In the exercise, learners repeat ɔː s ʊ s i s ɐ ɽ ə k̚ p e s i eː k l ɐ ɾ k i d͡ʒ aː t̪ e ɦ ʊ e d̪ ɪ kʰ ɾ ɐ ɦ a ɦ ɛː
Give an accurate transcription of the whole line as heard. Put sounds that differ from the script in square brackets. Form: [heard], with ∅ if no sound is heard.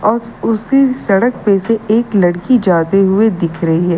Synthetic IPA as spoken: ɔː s ʊ s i s ɐ ɽ ə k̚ p e s [e] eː k l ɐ [ɽ] k i d͡ʒ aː t̪ e ɦ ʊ e d̪ ɪ kʰ ɾ ɐ ɦ [i] ɦ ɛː